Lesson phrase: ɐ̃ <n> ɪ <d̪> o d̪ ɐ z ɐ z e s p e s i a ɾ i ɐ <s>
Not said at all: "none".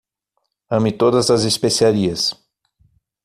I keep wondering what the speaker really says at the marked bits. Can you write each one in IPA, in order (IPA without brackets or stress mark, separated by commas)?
m, t̪, s